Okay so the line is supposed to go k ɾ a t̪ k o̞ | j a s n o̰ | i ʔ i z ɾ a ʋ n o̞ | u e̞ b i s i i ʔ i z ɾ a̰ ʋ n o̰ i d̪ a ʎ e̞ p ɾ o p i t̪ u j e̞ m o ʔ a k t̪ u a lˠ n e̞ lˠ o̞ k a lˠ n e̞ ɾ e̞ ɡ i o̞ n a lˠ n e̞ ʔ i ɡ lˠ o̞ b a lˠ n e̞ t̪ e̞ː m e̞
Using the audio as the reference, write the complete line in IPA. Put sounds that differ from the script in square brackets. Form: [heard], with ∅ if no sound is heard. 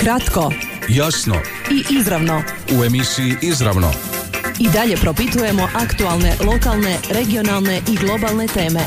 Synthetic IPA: k ɾ a t̪ k o̞ | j a s n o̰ | i ʔ i z ɾ a ʋ n o̞ | u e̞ [m] i s i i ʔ i z ɾ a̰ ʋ n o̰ i d̪ a ʎ e̞ p ɾ o p i t̪ u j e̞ m o ʔ a k t̪ u a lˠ n e̞ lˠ o̞ k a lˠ n e̞ ɾ e̞ ɡ i o̞ n a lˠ n e̞ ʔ i ɡ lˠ o̞ b a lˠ n e̞ t̪ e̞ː m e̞